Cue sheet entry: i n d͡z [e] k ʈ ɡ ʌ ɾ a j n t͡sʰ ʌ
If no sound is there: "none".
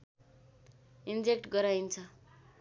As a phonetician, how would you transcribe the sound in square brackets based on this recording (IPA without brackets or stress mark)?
e